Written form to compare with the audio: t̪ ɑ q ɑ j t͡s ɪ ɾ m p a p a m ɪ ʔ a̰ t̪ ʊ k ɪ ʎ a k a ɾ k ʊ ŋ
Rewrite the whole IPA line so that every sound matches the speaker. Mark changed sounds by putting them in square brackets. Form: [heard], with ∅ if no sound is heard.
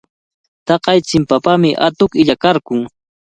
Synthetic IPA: t̪ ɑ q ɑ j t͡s ɪ [∅] m p a p a m ɪ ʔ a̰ t̪ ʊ k ɪ ʎ a k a ɾ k ʊ ŋ